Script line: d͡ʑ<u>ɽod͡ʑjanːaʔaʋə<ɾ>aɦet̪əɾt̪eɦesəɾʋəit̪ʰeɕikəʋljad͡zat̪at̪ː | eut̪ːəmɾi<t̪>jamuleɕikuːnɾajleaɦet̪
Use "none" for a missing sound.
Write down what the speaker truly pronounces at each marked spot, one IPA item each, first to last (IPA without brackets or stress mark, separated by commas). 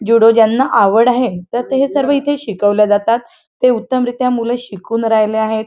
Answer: u, ɽ, t̪